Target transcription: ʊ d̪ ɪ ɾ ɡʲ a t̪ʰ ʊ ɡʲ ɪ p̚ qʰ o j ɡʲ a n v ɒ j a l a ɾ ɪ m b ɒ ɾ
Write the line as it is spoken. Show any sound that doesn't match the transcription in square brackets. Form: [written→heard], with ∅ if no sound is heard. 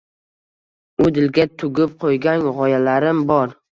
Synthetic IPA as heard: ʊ d̪ ɪ [ɾ→l] ɡʲ a t̪ʰ ʊ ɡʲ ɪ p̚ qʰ o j ɡʲ a n [v→ʁ] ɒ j a l a ɾ ɪ m b ɒ ɾ